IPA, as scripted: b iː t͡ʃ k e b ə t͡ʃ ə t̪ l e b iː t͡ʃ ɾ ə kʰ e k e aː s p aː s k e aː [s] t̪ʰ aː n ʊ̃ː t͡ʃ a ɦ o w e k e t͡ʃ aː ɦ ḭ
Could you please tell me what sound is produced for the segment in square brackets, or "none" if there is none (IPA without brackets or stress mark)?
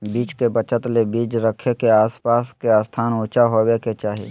s